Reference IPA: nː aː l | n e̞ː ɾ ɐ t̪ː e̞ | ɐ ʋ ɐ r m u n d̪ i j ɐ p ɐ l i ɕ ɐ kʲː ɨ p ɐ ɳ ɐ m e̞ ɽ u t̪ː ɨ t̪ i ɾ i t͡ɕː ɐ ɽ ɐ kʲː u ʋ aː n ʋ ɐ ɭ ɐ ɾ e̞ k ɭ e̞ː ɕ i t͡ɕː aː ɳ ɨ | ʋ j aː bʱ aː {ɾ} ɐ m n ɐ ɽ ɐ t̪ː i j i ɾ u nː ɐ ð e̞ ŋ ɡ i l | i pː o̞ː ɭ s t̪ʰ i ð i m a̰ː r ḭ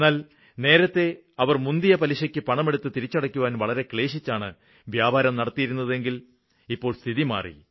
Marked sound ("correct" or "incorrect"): correct